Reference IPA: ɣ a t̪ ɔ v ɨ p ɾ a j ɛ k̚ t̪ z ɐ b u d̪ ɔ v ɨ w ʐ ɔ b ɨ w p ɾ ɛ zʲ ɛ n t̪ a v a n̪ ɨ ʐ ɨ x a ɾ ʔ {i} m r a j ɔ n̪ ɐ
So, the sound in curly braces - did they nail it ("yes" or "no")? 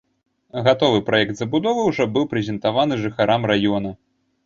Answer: no